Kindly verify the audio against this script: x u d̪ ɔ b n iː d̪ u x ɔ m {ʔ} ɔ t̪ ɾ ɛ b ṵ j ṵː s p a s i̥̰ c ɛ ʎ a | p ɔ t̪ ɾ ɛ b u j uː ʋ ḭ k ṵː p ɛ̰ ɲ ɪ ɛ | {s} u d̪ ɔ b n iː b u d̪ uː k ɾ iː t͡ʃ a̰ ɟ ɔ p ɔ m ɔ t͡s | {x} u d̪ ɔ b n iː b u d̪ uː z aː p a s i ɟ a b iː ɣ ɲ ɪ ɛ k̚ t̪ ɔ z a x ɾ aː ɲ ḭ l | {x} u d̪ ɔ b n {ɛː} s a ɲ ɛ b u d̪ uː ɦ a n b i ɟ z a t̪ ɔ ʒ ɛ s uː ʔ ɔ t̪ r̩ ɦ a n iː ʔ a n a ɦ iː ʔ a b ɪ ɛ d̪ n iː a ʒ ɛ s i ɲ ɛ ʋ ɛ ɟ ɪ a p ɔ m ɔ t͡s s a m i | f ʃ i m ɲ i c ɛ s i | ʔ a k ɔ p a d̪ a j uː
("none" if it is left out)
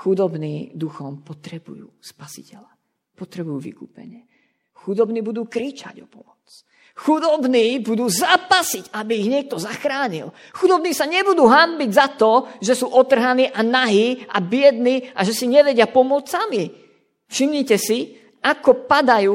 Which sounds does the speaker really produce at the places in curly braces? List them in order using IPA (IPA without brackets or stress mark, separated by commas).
p, x, x, x, iː